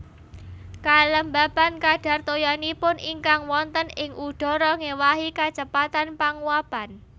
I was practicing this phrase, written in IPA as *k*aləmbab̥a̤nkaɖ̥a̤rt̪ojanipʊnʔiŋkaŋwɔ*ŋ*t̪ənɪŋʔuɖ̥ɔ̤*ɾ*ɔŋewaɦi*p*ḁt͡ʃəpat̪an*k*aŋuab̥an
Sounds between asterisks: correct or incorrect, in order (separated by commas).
correct, incorrect, correct, incorrect, incorrect